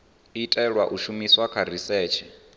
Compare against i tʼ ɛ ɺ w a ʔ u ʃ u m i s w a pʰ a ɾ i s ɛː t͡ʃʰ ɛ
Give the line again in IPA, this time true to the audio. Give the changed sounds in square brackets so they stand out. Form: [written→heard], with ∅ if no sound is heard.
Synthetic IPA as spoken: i tʼ ɛ ɺ w a ʔ u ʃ u m i s w a [pʰ→kʰ] a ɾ i s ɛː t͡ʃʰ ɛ